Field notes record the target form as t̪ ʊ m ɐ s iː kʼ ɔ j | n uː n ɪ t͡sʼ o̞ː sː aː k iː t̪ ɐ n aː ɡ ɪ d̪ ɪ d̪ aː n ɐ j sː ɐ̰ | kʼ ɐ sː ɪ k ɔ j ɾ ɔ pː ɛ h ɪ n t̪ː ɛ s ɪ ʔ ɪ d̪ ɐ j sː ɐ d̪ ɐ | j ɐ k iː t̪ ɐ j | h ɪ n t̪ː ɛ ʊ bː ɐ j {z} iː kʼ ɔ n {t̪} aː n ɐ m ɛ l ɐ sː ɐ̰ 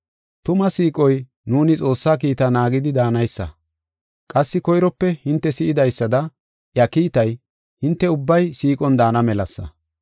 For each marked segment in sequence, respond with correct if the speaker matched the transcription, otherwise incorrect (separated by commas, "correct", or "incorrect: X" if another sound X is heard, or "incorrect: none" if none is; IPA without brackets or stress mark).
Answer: incorrect: s, incorrect: d̪